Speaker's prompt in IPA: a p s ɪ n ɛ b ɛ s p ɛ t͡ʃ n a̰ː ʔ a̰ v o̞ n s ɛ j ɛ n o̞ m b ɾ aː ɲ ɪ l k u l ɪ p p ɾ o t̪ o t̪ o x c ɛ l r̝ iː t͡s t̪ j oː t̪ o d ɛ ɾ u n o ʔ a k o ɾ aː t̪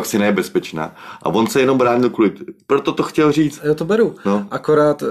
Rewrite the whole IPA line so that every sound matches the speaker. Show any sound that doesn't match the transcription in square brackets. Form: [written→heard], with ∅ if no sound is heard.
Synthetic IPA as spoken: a [p→k] s ɪ n ɛ b ɛ s p ɛ t͡ʃ n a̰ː ʔ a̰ v o̞ n s ɛ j ɛ n o̞ m b ɾ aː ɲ ɪ l k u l ɪ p p ɾ o t̪ o t̪ o x c ɛ l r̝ iː t͡s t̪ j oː t̪ o [d→b] ɛ ɾ u n o ʔ a k o ɾ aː t̪